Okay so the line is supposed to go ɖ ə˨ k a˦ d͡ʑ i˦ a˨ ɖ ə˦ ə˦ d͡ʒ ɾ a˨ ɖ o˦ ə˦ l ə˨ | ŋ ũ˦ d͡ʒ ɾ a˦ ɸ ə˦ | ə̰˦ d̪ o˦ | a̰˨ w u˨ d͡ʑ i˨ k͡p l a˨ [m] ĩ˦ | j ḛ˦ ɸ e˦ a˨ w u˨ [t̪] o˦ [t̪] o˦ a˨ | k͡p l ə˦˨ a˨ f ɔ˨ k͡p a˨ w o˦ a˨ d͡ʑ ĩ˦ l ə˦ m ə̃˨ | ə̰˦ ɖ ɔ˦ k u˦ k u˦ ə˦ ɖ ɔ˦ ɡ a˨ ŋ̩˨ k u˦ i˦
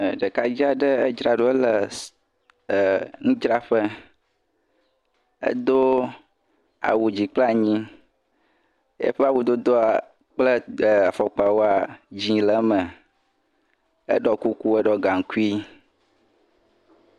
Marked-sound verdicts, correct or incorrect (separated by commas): incorrect, incorrect, incorrect